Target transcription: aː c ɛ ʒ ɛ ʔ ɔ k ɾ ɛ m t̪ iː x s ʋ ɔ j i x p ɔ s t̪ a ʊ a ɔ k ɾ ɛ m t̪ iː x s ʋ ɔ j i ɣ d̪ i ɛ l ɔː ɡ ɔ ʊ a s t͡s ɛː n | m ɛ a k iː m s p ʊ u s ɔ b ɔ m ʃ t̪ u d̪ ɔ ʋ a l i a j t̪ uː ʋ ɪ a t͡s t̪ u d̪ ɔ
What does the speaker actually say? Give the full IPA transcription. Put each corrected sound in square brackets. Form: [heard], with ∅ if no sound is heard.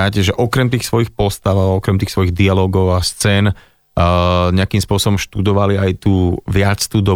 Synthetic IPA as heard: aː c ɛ ʒ ɛ ʔ ɔ k ɾ ɛ m t̪ iː x s ʋ ɔ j i x p ɔ s t̪ a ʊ a ɔ k ɾ ɛ m t̪ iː x s ʋ ɔ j i ɣ d̪ i [a] l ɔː ɡ ɔ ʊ a s t͡s ɛː n | [ɲ] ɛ a k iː m s p ʊ [ɔ] s ɔ b ɔ m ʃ t̪ u d̪ ɔ ʋ a l i a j t̪ uː ʋ ɪ a t͡s t̪ u d̪ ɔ